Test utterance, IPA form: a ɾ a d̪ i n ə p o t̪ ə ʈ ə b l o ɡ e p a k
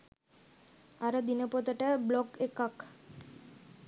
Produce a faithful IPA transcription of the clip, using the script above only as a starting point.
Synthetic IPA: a ɾ ə d̪ i n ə p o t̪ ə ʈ ə b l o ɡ e k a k